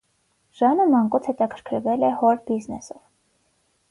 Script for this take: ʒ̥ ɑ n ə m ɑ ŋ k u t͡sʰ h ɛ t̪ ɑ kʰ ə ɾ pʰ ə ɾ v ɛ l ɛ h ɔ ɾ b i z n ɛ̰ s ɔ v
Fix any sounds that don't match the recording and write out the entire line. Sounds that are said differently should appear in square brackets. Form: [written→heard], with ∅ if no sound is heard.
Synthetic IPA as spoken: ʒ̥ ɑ n ə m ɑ ŋ k u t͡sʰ h ɛ t̪ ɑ kʰ ə ɾ [pʰ→kʰ] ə ɾ v ɛ l ɛ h ɔ ɾ b i z n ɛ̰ s ɔ v